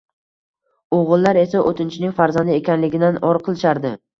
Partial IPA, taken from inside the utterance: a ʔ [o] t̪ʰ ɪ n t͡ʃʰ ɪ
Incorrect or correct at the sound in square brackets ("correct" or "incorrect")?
correct